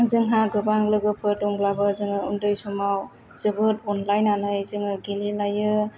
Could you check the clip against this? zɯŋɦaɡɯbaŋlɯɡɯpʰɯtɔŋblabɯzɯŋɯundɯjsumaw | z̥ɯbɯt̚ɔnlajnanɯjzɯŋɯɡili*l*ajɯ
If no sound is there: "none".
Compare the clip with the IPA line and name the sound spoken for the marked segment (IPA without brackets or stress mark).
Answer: l